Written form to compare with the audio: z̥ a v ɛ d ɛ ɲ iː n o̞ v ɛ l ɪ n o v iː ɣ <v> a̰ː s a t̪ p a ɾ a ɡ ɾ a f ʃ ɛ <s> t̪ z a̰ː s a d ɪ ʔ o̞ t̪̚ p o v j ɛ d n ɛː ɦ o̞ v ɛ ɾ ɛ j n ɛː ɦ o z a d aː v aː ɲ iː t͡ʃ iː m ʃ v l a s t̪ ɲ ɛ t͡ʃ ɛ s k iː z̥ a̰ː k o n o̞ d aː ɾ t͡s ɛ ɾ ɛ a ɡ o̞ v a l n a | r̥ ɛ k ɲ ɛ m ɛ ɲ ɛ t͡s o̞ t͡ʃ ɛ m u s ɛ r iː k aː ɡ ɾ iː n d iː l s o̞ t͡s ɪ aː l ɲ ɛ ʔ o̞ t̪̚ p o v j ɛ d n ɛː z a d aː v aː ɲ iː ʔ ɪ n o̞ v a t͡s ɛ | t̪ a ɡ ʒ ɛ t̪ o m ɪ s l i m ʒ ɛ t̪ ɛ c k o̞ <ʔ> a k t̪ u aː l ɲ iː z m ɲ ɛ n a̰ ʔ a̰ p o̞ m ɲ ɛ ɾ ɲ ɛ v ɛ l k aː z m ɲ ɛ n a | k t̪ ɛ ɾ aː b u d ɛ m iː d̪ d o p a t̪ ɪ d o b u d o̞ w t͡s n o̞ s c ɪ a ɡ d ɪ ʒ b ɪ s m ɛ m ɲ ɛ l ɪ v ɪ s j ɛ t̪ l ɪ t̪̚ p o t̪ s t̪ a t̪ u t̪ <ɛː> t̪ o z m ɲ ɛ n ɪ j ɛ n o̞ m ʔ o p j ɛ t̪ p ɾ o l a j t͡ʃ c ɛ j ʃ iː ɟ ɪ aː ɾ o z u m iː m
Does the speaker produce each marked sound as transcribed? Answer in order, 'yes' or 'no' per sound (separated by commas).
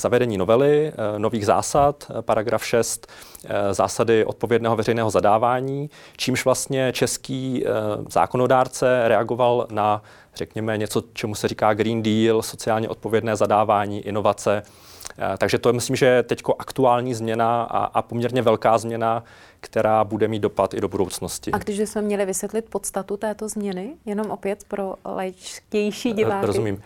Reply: no, yes, yes, yes